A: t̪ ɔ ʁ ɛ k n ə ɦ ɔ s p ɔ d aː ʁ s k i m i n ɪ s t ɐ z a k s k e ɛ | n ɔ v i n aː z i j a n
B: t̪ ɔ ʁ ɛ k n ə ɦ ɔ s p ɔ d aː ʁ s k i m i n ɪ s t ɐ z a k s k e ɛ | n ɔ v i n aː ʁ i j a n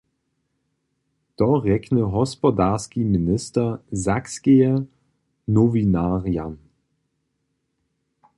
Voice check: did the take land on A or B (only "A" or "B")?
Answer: B